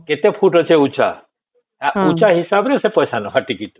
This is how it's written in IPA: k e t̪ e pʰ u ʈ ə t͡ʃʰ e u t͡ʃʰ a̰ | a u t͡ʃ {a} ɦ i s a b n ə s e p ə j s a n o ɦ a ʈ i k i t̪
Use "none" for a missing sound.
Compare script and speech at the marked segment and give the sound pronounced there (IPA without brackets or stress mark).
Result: a